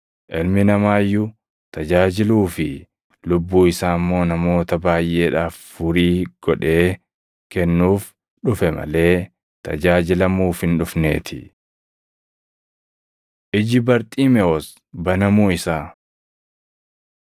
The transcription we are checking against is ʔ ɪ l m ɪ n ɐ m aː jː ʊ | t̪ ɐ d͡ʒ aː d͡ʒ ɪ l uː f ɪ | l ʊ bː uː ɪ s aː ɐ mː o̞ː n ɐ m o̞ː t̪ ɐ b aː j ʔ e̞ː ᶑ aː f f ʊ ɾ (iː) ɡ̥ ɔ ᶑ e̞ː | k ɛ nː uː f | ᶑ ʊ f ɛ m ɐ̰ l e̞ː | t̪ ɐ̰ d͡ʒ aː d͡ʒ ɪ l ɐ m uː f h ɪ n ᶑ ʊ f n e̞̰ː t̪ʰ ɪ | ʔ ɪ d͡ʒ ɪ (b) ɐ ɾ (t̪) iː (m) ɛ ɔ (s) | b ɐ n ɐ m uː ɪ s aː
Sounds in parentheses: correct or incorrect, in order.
correct, correct, incorrect, correct, correct

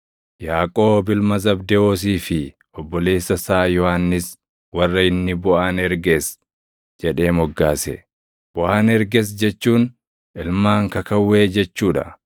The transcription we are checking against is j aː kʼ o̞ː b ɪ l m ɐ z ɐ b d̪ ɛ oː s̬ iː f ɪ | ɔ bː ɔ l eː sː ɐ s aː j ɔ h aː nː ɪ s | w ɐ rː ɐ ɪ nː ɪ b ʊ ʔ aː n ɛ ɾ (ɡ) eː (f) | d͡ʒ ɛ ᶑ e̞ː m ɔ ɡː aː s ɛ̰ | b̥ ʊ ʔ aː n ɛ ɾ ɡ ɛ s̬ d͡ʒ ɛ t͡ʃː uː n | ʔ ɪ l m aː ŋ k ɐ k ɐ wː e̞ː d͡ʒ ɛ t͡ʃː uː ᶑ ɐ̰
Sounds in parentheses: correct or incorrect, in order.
correct, incorrect

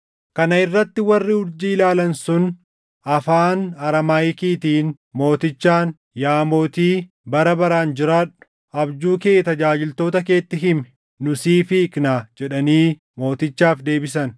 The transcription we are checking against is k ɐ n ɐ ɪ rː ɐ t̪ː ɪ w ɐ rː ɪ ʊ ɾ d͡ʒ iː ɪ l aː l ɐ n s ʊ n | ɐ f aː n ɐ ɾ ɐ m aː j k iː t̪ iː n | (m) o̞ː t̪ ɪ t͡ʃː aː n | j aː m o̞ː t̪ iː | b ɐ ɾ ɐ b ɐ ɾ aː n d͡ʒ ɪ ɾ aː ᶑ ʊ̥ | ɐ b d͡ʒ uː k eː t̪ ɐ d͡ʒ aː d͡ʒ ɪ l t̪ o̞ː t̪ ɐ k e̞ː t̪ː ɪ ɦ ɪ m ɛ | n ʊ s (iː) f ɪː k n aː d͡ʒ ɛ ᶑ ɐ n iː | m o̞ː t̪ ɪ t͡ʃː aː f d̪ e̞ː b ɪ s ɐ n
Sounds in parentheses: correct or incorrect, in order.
correct, correct

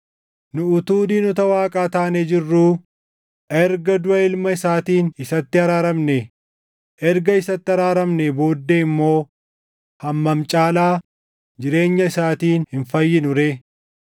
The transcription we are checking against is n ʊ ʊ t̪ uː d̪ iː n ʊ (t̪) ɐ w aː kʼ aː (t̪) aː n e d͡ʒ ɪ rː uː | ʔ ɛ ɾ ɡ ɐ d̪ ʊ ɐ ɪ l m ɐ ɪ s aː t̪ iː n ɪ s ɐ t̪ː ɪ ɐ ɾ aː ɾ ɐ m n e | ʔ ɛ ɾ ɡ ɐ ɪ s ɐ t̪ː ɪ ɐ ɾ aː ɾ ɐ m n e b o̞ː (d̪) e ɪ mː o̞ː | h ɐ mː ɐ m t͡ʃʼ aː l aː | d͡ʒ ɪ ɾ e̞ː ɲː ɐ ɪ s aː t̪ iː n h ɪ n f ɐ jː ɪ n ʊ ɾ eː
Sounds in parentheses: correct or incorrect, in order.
correct, correct, incorrect

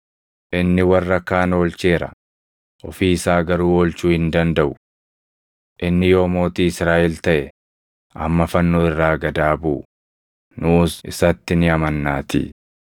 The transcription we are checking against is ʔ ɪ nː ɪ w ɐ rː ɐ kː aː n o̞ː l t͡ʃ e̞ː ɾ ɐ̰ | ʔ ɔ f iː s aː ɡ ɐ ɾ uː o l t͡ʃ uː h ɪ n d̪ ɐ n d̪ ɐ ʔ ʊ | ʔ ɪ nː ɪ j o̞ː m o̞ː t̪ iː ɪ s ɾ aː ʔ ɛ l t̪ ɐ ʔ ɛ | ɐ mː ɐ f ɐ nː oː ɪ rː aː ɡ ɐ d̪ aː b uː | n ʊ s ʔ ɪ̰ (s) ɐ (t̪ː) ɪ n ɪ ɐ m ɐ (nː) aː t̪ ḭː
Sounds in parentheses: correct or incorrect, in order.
correct, correct, correct

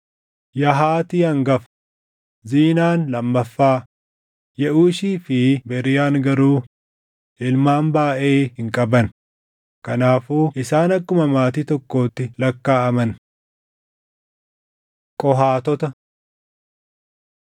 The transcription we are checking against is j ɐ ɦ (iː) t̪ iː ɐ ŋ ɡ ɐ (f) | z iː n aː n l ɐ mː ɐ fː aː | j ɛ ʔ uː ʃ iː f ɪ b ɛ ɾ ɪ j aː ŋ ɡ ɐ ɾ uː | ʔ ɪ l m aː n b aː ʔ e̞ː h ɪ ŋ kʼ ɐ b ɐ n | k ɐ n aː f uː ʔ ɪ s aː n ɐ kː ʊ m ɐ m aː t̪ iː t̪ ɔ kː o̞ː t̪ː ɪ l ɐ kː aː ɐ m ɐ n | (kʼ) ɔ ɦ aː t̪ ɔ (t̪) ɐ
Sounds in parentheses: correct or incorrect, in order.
incorrect, correct, correct, correct

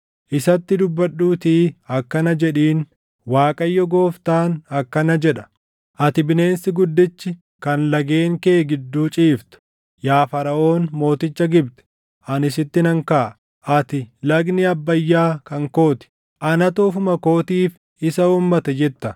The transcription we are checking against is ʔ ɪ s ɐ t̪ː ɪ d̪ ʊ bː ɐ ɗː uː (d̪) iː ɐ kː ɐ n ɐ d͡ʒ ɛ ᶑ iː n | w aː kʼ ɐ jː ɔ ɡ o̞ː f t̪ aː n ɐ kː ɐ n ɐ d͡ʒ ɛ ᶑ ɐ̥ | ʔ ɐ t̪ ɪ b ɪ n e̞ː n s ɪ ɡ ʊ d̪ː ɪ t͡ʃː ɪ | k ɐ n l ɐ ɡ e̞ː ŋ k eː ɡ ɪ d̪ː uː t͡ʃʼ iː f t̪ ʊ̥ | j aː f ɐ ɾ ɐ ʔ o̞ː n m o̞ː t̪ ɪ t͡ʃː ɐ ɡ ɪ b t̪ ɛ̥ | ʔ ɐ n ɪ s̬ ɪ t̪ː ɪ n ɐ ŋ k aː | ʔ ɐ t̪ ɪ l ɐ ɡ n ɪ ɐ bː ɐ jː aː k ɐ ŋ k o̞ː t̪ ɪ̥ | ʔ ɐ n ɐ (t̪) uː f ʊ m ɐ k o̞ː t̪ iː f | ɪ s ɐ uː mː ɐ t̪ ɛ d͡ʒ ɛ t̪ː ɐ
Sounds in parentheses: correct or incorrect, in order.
incorrect, correct

